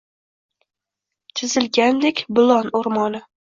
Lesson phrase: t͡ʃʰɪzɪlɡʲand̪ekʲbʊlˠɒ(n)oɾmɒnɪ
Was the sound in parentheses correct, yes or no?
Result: yes